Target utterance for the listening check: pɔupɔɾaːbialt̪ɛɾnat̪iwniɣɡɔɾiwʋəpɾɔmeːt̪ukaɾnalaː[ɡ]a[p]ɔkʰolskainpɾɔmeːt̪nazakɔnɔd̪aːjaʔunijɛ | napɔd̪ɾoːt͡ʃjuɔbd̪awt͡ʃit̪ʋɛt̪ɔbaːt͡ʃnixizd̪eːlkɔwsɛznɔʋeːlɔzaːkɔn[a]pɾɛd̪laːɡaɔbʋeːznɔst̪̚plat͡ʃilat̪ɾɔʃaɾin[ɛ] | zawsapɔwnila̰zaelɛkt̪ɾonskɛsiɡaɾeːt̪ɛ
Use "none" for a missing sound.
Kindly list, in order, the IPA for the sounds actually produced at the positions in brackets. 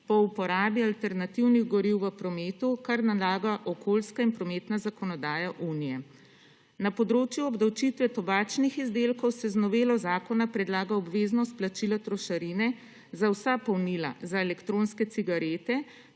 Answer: ɡ, ʔ, a, ɛ

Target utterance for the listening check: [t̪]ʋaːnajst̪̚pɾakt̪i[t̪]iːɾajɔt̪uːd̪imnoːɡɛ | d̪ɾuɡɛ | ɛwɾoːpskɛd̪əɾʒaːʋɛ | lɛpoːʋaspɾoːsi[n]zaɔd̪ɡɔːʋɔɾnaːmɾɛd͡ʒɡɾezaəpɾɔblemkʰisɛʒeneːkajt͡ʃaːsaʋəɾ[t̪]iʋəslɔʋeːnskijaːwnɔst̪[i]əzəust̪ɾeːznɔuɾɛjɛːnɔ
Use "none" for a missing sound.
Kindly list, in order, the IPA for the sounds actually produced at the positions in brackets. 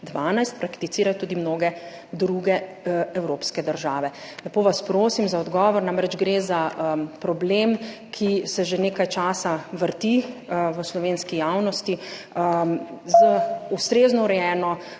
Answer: d̪, t̪, m, t̪, i

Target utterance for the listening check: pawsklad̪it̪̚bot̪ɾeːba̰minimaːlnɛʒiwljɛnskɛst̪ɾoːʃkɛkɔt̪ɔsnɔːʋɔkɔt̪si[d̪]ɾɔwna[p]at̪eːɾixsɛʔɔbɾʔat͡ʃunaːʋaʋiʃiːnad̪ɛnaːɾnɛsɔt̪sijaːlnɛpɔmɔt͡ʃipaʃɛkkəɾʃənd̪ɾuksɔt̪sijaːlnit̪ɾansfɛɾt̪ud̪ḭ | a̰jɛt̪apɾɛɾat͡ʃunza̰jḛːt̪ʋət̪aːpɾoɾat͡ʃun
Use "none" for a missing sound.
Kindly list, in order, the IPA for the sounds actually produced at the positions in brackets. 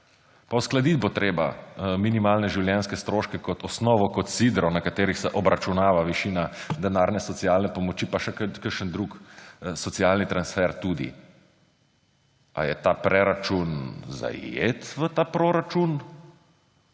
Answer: d̪, k

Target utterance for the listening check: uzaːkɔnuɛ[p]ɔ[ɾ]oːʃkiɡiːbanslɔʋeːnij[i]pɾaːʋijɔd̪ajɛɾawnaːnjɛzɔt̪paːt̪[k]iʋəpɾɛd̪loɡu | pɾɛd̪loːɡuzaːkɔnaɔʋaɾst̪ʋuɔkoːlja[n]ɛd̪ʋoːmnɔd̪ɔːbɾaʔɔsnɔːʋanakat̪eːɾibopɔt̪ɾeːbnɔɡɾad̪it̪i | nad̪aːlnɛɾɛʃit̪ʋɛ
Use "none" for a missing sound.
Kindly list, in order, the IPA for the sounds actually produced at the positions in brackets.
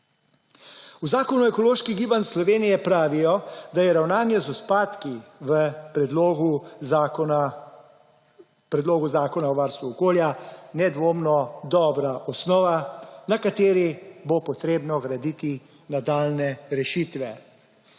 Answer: k, l, ɛ, k, n

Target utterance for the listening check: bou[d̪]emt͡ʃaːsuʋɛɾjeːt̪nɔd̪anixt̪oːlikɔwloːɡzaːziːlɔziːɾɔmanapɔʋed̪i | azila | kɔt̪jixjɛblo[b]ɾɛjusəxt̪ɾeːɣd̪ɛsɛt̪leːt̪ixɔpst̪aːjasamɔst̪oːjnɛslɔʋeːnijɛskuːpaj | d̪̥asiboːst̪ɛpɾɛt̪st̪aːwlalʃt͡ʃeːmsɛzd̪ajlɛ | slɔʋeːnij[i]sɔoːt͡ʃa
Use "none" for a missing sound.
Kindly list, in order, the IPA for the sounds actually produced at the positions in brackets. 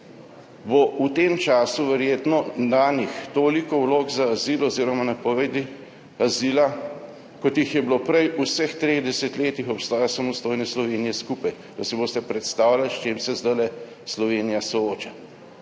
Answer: t̪, p, a

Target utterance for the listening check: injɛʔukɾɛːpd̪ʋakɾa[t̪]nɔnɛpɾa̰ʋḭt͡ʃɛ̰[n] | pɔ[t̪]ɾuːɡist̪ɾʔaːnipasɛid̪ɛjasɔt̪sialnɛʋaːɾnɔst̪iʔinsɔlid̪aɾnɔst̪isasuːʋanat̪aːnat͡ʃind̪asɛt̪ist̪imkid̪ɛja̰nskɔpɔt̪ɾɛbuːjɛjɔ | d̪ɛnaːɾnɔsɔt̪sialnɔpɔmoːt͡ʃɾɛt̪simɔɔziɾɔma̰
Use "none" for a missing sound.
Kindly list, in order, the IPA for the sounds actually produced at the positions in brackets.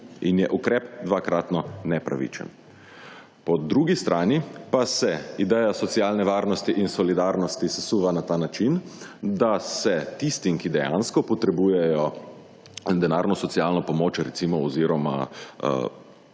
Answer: t̪, n, d̪

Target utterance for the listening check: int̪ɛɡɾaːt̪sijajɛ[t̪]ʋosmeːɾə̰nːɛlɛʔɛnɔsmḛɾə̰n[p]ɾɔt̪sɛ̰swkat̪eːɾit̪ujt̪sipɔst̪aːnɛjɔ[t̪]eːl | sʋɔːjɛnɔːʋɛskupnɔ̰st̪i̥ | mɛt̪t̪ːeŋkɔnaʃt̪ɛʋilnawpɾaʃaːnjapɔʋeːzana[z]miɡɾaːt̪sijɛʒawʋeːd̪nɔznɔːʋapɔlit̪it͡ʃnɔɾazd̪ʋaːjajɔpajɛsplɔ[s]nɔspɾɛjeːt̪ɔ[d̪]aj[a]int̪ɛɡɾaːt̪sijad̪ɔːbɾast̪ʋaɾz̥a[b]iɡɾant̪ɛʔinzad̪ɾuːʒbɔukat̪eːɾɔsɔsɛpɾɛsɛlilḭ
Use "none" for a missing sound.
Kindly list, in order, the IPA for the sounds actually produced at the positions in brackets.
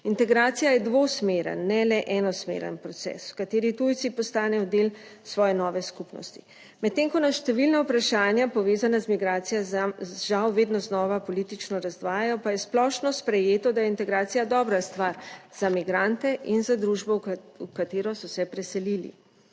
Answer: d̪, p, d̪, z, ʃ, d̪, ɛ, m

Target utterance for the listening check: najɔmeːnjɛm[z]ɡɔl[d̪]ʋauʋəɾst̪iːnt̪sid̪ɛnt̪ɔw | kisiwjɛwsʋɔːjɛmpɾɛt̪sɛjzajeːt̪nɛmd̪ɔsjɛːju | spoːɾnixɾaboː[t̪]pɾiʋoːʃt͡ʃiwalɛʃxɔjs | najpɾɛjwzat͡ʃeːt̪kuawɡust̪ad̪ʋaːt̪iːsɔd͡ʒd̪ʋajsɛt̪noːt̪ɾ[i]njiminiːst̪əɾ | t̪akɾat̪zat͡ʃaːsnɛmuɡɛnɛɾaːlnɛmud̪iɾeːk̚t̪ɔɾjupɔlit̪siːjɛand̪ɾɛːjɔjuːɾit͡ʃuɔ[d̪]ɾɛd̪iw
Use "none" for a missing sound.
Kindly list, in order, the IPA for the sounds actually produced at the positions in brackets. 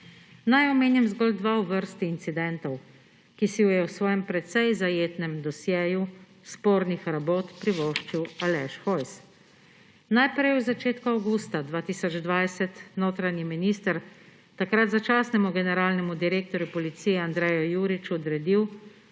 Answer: z, d̪, t̪, a, d̪

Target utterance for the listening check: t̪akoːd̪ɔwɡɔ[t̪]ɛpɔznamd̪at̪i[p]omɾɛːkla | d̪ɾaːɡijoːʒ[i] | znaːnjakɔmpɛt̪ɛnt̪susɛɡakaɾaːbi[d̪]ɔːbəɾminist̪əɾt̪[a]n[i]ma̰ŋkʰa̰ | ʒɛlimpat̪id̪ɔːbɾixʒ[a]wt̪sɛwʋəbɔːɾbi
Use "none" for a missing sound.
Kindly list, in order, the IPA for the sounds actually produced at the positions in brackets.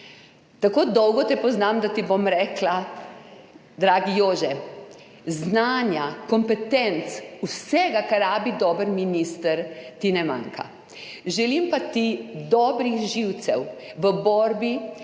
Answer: t̪, b, ɛ, d̪, i, ɛ, i

